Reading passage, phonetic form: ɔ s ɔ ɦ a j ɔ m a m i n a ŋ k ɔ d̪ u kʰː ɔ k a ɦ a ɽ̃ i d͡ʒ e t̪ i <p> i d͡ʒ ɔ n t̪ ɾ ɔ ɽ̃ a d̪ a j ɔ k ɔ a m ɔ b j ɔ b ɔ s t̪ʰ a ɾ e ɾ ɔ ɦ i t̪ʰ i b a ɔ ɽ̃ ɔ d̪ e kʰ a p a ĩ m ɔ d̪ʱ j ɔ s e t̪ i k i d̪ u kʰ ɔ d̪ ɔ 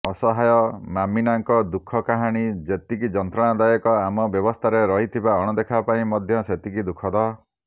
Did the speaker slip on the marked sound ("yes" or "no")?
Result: yes